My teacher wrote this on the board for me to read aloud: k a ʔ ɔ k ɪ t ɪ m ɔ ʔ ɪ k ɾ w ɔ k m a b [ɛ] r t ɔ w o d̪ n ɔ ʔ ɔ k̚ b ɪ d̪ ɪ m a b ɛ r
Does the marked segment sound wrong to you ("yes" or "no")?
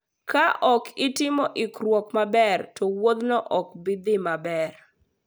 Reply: no